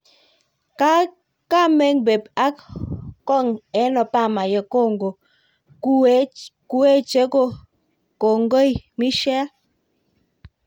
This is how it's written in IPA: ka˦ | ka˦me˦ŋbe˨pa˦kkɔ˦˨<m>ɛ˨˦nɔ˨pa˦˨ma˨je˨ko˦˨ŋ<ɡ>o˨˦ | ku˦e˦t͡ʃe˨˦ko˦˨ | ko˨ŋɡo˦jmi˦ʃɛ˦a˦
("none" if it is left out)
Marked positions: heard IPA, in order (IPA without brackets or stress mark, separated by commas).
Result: ŋ, ɡ